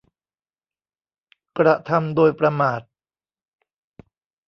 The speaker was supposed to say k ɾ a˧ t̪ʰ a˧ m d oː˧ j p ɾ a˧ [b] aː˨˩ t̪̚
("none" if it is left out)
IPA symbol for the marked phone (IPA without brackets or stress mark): m